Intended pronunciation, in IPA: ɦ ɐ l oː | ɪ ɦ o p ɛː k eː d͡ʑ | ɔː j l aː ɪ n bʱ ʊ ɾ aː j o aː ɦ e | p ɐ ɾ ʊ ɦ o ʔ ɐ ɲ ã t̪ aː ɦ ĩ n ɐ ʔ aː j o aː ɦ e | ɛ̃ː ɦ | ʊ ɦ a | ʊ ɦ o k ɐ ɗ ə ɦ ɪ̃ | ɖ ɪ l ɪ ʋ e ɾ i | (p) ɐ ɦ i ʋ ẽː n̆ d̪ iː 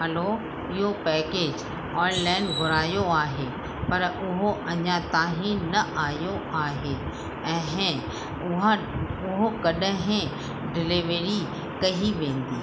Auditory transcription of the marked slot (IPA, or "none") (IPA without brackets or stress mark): k